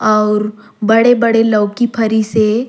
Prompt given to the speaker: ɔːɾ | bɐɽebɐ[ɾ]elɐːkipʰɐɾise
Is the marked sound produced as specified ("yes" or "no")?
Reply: no